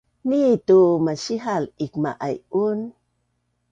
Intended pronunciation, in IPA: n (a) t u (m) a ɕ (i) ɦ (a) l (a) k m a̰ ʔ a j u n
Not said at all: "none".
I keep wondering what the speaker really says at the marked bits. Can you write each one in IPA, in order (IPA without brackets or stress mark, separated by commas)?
i, m, i, a, i